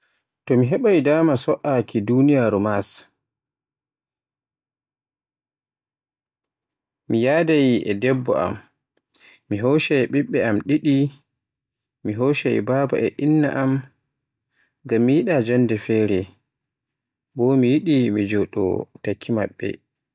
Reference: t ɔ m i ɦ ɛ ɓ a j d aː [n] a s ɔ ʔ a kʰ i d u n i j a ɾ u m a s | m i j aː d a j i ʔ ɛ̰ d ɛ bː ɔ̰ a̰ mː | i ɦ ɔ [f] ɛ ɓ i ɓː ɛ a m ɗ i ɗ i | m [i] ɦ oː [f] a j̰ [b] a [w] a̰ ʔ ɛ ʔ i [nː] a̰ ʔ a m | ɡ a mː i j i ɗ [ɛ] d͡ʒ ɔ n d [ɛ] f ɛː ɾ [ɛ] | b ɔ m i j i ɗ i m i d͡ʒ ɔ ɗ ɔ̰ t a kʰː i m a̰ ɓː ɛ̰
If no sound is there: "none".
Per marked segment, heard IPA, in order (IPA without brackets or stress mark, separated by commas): m, ʃ, i, ʃ, b, b, nː, a, ɛ, ɛ